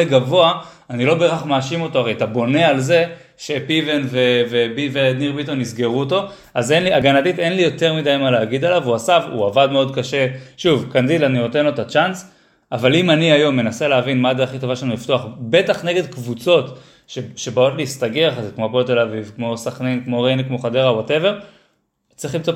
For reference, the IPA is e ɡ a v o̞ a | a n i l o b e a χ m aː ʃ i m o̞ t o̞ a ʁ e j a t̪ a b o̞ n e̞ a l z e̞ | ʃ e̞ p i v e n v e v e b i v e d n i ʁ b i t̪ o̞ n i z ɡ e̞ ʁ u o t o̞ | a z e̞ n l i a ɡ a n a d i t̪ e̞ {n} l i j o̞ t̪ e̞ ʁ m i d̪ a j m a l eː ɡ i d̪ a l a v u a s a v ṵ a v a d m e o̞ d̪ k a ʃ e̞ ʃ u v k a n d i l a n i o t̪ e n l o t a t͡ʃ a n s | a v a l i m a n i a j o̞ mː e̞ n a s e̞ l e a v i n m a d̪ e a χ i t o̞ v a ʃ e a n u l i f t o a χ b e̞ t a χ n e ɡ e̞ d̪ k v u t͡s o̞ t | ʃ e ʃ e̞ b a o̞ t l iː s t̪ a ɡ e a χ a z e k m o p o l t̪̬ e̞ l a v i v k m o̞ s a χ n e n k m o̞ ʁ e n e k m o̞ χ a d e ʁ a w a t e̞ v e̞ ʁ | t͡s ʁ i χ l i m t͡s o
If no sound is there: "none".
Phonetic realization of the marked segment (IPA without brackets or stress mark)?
n